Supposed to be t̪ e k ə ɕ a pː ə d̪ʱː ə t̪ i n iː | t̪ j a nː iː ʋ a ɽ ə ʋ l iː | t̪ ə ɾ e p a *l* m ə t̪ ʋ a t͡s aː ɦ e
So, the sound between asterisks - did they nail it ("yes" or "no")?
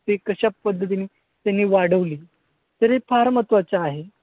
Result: no